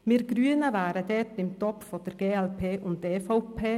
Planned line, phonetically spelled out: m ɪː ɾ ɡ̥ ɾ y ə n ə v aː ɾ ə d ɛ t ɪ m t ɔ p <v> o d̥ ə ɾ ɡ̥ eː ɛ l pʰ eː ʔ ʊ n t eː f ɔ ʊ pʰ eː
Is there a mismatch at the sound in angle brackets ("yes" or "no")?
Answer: yes